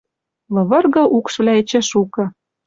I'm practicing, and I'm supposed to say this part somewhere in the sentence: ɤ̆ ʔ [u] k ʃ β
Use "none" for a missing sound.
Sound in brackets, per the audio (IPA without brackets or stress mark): u